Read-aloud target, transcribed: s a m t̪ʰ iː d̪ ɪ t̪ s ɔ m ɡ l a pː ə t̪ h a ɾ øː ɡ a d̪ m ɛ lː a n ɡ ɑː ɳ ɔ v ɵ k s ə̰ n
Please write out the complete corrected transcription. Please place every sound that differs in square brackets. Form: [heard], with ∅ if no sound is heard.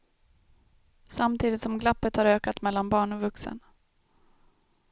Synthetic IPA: s a m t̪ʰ iː d̪ ɪ t̪ s ɔ m ɡ l a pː ə t̪ h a ɾ øː [k] a [t̪] m ɛ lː a n [b] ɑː ɳ ɔ v ɵ k s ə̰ n